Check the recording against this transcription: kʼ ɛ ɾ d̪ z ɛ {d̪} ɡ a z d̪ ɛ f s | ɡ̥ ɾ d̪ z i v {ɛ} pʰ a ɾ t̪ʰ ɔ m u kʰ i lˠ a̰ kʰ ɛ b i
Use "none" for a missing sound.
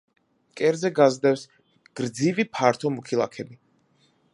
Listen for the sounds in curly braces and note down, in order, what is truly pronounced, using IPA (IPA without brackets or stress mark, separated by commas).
none, i